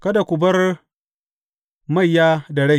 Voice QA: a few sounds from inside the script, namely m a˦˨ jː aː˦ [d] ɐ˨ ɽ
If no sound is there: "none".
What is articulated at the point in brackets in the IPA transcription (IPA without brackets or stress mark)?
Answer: d